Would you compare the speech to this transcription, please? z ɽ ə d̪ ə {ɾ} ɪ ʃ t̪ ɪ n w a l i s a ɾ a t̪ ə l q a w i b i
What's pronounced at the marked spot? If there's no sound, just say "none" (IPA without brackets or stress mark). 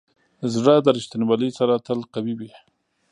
ɾ